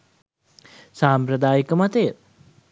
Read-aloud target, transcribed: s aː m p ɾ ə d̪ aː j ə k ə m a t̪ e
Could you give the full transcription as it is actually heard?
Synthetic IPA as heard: s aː m p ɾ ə d̪ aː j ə k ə m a t̪ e